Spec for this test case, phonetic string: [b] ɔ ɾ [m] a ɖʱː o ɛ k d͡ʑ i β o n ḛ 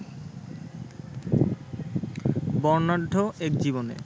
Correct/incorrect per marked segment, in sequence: correct, incorrect

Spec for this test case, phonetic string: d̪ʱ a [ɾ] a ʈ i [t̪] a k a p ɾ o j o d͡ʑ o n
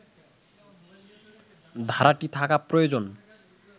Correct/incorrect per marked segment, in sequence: correct, incorrect

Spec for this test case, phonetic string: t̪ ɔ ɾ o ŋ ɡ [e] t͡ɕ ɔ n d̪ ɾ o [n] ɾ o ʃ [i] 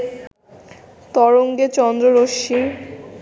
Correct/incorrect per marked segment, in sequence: correct, incorrect, correct

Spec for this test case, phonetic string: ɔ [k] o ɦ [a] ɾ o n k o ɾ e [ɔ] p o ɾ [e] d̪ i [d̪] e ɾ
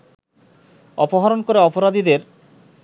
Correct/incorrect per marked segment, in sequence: incorrect, correct, correct, incorrect, correct

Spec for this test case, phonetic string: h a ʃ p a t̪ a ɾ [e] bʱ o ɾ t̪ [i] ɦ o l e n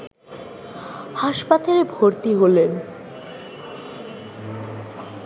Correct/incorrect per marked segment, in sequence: correct, correct

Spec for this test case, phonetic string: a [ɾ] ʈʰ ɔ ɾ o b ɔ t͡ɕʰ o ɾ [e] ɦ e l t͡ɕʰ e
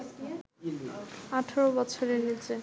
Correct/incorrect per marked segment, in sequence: incorrect, correct

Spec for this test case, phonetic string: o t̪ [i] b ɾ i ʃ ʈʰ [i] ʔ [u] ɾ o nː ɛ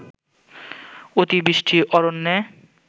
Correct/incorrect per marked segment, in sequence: correct, correct, incorrect

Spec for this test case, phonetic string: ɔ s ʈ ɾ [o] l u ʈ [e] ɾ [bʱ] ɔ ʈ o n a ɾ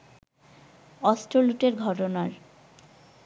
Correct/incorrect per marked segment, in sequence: correct, correct, incorrect

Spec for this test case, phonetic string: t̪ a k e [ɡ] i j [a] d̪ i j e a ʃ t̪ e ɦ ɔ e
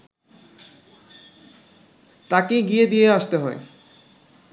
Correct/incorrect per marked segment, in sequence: correct, incorrect

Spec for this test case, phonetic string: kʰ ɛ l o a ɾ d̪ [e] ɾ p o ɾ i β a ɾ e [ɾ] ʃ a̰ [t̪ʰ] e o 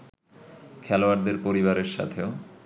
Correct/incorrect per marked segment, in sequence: correct, correct, correct

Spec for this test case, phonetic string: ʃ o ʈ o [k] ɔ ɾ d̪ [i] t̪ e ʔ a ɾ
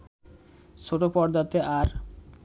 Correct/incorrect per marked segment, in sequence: incorrect, incorrect

